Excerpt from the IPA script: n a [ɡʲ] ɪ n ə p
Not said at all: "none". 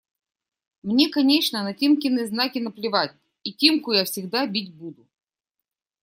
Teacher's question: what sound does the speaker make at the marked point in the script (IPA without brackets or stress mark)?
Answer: kʲ